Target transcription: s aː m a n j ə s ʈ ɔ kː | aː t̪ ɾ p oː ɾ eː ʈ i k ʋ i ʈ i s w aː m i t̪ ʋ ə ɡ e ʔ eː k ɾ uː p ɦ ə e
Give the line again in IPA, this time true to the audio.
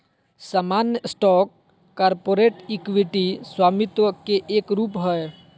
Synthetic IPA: s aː m a n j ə s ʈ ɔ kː | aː ɾ p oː ɾ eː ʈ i k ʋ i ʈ i s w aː m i t̪ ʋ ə k e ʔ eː k ɾ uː p ɦ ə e